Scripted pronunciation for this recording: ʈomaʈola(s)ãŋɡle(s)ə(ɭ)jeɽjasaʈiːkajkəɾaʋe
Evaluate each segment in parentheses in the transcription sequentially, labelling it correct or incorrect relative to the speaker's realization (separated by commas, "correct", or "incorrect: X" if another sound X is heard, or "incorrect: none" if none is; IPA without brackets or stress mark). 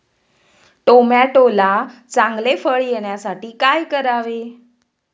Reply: incorrect: t͡s, incorrect: f, correct